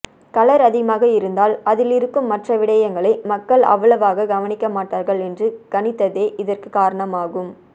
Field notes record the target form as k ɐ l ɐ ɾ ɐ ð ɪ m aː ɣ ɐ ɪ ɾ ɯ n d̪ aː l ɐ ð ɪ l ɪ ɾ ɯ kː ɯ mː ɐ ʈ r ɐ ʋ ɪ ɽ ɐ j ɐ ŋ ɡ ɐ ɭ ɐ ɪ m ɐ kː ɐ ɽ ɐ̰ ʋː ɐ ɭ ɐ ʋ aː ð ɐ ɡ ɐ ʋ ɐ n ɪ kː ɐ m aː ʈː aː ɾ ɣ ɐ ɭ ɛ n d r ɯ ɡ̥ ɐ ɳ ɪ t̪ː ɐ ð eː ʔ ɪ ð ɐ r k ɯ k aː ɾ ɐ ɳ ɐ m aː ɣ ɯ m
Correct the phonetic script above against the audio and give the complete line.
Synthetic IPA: k ɐ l ɐ ɾ ɐ ð ɪ m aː ɣ ɐ ɪ ɾ ɯ n d̪ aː l ɐ ð ɪ l ɪ ɾ ɯ kː ɯ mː ɐ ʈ r ɐ ʋ ɪ ɽ ɐ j ɐ ŋ ɡ ɐ ɭ ɐ ɪ m ɐ kː ɐ ɭ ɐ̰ ʋː ɐ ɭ ɐ ʋ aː ɣ ɐ ɡ ɐ ʋ ɐ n ɪ kː ɐ m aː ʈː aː ɾ ɣ ɐ ɭ ɛ n d r ɯ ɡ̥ ɐ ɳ ɪ t̪ː ɐ ð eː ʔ ɪ ð ɐ r k ɯ k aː ɾ ɐ ɳ ɐ m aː ɣ ɯ m